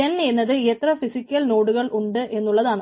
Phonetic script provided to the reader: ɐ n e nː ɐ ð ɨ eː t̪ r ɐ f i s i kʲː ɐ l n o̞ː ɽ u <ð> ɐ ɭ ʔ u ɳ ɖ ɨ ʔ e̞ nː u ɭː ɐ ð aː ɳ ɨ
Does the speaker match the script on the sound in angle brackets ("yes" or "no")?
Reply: no